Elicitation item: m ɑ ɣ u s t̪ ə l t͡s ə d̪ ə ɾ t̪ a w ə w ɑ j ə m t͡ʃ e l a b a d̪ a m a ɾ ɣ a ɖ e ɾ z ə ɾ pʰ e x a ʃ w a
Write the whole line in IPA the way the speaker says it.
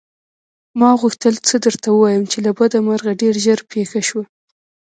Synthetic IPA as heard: m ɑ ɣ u x t̪ ə l t͡s ə d̪ ə ɾ t̪ a w ə w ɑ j ə m t͡ʃ e l a b a d̪ a m a ɾ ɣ a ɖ e ɾ ʒ ə ɾ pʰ e x a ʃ w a